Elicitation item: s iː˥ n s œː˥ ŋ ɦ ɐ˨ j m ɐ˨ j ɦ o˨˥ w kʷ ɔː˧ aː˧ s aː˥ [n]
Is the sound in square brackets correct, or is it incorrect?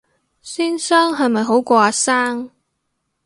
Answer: incorrect